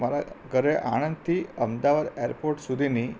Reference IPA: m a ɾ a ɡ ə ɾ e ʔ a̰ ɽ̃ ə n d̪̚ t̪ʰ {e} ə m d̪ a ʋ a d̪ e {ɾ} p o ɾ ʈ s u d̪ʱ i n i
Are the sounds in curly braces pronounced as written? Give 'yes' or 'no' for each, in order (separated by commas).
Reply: no, yes